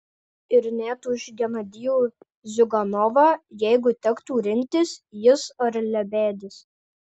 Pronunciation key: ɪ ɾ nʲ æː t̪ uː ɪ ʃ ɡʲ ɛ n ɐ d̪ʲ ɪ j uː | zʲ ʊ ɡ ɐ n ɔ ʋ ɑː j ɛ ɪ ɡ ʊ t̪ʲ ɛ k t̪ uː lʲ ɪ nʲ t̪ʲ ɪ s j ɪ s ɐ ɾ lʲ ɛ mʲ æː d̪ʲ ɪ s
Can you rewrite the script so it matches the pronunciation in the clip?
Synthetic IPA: ɪ ɾ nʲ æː t̪ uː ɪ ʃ ɡʲ ɛ n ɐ d̪ʲ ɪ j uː | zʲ ʊ ɡ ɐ n ɔ ʋ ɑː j ɛ ɪ ɡ ʊ t̪ʲ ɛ k t̪ uː ɾʲ ɪ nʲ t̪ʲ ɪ s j ɪ s ɐ ɾ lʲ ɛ bʲ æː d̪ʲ ɪ s